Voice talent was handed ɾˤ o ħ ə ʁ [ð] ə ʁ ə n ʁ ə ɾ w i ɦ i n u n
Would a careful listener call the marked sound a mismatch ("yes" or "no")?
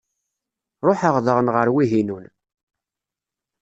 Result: no